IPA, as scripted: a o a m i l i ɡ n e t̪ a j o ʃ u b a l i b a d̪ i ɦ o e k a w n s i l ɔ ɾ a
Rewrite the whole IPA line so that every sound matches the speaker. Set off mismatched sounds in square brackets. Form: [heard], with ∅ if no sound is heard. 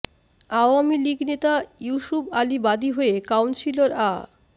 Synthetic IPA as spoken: a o a m i l i ɡ n e t̪ a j [u] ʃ u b a l i b a d̪ i ɦ o e k a w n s i l [o] ɾ a